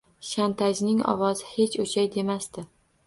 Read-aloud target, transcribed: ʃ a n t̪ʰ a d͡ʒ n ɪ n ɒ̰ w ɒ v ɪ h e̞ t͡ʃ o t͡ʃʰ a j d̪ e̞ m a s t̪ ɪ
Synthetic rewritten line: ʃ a n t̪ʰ a d͡ʒ n ɪ ŋ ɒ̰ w ɒ z ɪ h e̞ t͡ʃ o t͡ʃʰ a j d̪ e̞ m a s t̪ ɪ